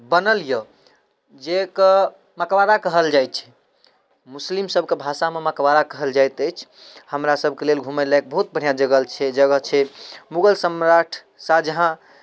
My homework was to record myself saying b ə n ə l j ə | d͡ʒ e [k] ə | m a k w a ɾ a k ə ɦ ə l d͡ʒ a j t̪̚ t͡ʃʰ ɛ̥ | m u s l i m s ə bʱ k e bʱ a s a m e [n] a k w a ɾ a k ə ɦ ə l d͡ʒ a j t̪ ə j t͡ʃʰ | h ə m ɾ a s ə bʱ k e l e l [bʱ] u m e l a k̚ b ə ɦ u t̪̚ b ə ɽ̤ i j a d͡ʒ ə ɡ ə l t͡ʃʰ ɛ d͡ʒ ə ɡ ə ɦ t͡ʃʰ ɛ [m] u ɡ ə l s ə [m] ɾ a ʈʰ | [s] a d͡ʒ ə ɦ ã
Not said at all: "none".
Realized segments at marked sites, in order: k, m, ɡʱ, m, m, s

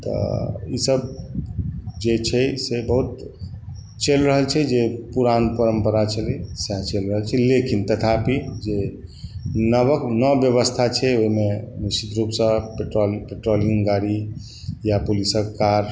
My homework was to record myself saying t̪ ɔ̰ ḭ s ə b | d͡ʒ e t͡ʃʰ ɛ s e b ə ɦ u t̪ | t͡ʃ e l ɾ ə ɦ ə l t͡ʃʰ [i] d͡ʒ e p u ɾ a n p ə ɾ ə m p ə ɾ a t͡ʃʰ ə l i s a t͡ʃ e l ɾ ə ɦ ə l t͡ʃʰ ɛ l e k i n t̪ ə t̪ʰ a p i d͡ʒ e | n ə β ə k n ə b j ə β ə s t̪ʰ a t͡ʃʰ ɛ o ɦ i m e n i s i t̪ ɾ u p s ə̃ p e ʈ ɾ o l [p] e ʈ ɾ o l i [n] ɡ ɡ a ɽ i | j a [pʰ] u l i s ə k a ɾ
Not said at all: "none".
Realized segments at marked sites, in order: ɛ, p, ŋ, p

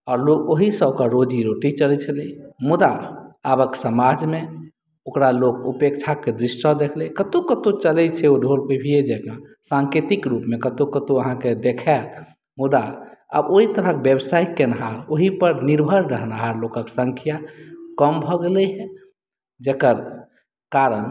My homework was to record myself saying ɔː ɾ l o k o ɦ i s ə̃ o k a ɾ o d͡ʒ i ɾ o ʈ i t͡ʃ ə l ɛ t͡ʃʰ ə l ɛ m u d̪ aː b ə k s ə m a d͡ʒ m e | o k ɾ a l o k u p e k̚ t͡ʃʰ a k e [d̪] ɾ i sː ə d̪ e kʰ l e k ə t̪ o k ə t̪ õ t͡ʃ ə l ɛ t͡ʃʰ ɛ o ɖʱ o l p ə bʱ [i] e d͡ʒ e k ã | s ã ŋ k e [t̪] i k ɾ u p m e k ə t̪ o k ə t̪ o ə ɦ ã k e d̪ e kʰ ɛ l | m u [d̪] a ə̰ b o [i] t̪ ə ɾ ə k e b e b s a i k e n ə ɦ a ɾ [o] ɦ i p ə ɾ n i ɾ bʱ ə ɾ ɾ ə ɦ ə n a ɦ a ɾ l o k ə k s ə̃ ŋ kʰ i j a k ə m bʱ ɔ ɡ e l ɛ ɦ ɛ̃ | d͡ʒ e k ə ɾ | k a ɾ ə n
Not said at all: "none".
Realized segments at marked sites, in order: d̪, i, t̪, d̪, i, o

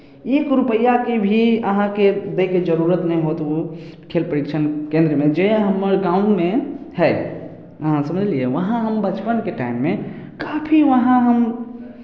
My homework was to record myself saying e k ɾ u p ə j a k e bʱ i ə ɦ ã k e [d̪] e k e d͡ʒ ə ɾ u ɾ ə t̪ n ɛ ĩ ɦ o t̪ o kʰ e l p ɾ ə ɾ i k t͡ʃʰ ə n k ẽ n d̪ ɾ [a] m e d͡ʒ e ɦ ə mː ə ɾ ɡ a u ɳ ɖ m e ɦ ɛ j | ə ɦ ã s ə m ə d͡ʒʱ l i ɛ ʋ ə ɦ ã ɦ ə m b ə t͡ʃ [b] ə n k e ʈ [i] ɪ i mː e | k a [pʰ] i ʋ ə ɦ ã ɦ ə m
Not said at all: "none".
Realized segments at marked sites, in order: d̪, ə, p, a, pʰ

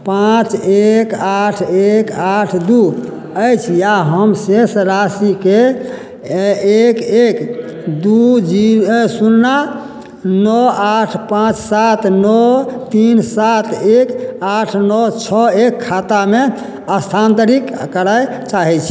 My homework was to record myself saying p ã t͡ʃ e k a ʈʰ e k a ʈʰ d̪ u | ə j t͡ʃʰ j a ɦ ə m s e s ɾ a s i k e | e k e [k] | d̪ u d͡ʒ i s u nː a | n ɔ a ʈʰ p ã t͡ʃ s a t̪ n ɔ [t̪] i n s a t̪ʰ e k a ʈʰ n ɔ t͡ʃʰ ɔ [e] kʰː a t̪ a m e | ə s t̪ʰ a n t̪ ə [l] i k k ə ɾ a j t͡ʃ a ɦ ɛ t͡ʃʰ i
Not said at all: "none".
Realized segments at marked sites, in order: k, t̪, e, ɾ

